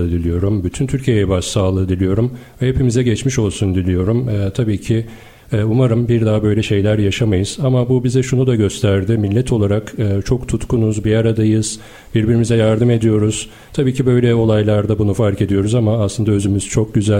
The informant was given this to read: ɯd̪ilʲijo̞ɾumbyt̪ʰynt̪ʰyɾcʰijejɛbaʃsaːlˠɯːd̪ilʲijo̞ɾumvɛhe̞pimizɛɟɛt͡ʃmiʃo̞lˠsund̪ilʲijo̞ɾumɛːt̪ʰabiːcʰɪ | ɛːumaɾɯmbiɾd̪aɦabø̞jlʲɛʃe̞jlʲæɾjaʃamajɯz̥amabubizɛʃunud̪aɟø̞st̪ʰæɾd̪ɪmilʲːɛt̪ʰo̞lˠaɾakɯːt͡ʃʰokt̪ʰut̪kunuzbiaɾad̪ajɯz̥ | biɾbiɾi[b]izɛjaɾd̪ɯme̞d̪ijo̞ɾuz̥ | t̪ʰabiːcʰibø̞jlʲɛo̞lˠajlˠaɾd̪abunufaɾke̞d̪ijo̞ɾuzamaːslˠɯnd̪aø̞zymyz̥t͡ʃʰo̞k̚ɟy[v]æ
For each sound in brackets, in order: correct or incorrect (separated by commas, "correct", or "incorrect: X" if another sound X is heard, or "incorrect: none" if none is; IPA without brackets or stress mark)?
incorrect: m, incorrect: z